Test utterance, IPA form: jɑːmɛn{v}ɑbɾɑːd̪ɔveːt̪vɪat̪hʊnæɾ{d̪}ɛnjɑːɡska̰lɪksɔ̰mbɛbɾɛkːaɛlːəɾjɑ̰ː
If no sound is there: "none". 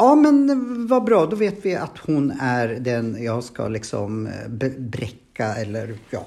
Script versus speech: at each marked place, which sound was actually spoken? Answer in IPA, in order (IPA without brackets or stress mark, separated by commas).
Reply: v, d̪